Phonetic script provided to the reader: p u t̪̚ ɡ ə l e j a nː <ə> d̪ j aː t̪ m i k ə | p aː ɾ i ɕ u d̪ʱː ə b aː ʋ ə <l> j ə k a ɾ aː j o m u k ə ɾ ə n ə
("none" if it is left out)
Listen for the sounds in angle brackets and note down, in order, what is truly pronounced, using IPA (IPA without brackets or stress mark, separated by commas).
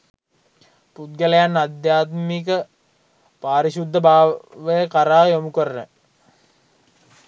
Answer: a, none